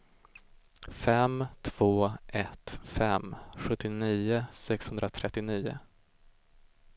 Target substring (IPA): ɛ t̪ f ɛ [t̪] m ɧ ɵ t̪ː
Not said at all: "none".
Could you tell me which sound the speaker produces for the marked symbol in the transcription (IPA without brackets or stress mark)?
none